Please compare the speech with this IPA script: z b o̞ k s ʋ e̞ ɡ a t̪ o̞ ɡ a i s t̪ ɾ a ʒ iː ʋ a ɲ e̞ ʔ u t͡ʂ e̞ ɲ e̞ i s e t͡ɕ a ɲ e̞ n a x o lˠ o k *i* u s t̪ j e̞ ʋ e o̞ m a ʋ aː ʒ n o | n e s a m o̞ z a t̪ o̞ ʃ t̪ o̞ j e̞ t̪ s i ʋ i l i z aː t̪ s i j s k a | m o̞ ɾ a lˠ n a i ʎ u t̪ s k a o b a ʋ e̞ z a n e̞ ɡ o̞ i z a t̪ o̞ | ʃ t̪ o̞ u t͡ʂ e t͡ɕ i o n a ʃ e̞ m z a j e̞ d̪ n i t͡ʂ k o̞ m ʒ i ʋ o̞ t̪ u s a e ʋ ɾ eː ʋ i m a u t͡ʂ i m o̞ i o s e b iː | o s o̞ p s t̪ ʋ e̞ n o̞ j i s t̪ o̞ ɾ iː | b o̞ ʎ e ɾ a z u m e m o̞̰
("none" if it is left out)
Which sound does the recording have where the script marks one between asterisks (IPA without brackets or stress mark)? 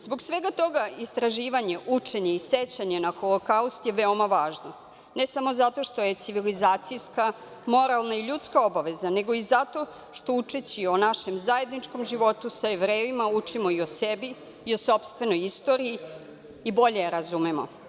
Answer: a